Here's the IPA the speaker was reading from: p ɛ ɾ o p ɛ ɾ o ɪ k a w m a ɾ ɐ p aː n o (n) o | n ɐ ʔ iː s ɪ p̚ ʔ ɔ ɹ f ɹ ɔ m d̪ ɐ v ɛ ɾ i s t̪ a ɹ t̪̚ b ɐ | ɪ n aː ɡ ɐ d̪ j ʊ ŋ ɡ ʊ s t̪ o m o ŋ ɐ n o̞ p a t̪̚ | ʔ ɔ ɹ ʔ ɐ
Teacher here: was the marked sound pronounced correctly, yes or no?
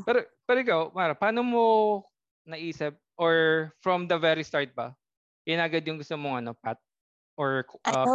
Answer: no